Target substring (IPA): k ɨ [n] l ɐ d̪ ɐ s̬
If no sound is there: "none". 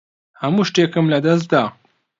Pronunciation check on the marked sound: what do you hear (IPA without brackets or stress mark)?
m